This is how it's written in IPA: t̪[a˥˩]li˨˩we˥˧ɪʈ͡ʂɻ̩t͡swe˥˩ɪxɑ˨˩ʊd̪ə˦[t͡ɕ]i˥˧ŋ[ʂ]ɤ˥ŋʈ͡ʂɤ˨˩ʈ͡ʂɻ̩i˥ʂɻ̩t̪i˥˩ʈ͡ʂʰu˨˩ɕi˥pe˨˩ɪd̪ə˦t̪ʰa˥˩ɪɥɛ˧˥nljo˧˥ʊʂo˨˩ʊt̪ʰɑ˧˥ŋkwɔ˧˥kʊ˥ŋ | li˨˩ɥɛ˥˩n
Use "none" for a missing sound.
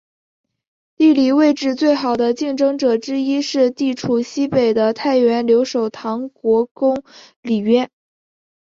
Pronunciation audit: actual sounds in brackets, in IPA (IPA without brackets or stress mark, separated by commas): i˥˩, t͡ɕ, ʈ͡ʂ